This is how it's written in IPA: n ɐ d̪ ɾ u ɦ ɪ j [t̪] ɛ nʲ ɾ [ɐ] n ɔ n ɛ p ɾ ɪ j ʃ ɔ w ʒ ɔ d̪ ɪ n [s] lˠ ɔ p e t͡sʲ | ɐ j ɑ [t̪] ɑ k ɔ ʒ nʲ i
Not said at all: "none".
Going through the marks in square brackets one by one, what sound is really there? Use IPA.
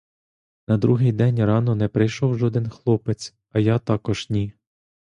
d̪, ɑ, x, t̪

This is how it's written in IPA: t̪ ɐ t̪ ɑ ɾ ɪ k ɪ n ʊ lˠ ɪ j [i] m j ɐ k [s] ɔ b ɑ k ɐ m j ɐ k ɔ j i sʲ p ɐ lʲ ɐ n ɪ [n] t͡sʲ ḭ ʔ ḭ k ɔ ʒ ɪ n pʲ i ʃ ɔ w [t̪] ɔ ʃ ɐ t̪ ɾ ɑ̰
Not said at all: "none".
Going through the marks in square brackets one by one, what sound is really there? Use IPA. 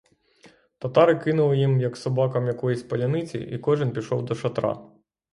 i, s, none, d̪

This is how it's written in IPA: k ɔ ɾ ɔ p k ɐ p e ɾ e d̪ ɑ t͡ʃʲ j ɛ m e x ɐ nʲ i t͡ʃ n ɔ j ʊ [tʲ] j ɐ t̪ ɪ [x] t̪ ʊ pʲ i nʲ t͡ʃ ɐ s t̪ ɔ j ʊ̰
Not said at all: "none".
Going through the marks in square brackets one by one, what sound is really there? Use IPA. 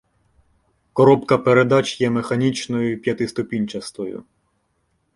pʲ, s

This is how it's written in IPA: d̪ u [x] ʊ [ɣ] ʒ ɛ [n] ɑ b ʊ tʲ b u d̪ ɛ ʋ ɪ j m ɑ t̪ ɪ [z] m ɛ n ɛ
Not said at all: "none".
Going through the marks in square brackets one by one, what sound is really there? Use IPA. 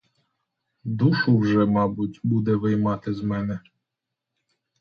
ʃ, w, m, z

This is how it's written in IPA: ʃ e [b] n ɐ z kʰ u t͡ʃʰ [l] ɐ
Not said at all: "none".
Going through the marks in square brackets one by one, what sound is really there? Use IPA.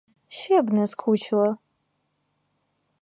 b, l

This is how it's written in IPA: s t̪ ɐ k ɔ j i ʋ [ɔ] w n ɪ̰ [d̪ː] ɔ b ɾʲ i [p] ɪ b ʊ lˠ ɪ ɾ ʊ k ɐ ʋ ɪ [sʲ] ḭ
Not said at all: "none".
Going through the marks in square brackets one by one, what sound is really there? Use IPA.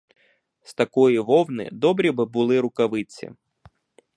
ɔ, d̪, b, t͡sʲ

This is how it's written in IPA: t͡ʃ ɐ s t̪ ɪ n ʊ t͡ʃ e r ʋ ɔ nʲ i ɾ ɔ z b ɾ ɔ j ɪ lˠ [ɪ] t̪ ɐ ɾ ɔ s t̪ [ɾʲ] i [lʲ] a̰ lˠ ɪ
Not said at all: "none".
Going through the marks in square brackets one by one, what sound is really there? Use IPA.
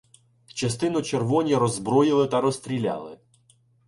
ɪ, ɾʲ, lʲ

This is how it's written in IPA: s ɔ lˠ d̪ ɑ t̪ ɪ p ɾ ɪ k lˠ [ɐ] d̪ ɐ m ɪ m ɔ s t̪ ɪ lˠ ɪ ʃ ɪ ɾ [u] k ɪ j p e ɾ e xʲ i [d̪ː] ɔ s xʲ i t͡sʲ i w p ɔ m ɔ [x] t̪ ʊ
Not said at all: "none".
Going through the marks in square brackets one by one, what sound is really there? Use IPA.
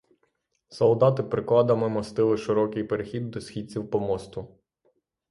ɑ, ɔ, d̪ː, s

